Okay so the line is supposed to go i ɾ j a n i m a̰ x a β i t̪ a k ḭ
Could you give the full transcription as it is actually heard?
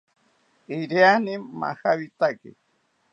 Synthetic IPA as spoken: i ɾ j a n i m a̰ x a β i t̪ a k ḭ